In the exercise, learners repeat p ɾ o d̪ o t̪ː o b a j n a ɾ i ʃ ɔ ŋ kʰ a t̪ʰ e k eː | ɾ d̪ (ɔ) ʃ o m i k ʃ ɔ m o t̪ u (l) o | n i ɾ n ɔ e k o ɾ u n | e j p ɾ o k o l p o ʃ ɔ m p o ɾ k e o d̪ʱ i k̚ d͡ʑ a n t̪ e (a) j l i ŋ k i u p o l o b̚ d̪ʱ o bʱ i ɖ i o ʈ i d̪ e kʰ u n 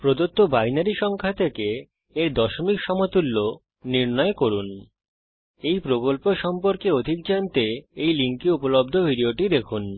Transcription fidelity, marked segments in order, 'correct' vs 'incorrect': correct, incorrect: lː, incorrect: e

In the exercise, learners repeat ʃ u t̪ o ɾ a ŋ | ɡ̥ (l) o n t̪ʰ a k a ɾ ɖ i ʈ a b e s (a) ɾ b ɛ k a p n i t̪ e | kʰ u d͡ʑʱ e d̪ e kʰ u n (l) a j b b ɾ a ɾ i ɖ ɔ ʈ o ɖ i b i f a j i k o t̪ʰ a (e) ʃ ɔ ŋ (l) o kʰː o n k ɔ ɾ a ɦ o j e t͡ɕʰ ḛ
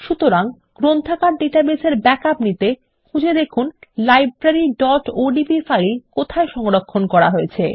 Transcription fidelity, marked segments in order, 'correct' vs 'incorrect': incorrect: ɾ, incorrect: e, correct, correct, incorrect: ɾ

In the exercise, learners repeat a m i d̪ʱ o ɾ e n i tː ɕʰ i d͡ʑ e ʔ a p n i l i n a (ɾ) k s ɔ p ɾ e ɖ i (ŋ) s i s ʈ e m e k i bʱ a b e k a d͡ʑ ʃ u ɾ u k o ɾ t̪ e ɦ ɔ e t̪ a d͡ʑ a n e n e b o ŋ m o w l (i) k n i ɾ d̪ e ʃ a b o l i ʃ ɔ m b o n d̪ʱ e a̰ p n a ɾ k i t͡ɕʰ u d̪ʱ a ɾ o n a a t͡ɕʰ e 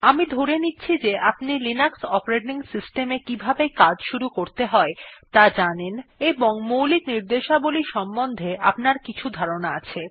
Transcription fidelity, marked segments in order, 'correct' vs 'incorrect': incorrect: none, correct, correct

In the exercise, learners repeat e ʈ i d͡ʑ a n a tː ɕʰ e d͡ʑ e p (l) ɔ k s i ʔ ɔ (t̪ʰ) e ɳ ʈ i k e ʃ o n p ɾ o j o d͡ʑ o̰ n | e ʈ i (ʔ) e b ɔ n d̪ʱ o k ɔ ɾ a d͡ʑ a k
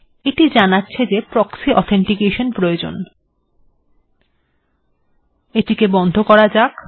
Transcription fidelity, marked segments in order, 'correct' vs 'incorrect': incorrect: ɾ, correct, incorrect: k

